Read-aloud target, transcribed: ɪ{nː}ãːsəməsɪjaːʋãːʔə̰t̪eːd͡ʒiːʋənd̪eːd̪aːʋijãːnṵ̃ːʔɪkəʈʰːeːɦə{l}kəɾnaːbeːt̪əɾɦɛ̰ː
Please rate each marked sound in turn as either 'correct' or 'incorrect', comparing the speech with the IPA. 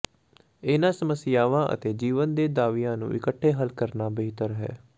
incorrect, correct

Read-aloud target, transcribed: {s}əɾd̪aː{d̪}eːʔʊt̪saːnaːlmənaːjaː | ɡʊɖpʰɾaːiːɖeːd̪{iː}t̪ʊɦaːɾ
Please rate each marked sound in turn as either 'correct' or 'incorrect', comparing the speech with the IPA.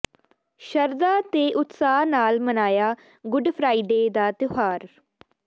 incorrect, incorrect, incorrect

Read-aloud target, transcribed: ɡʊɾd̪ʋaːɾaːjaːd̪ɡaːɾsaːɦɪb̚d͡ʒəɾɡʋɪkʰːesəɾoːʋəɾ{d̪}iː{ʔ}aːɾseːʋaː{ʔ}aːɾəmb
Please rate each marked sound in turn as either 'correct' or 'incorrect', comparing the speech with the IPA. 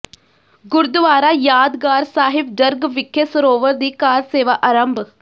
correct, incorrect, correct

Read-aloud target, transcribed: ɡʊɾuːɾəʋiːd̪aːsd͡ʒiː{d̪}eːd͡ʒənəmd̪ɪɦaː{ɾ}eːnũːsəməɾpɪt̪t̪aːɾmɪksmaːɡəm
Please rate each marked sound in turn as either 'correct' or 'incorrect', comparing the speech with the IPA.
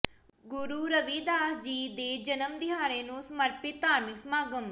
correct, correct

